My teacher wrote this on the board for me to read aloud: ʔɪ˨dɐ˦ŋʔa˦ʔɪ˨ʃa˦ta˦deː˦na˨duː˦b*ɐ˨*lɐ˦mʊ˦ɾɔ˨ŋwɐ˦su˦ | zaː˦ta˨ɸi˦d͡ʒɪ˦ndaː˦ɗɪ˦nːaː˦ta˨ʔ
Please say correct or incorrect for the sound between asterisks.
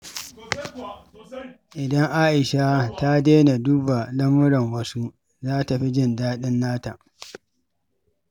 incorrect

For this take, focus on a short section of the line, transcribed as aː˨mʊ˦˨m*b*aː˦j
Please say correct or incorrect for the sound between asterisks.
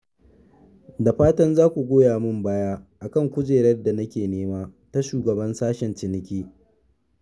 correct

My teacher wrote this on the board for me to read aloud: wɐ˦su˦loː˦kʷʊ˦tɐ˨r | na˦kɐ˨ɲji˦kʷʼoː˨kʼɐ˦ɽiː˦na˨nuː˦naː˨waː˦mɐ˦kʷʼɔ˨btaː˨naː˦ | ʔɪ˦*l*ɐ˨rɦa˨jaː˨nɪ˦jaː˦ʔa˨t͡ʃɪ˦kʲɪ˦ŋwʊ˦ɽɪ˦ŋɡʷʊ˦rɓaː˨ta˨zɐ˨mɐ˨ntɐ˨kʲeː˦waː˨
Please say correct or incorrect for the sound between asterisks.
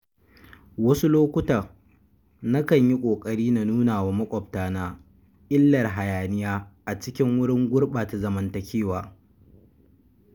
incorrect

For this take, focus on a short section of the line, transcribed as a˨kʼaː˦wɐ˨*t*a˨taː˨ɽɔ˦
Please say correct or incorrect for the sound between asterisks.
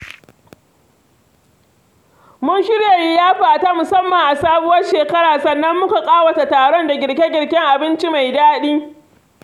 correct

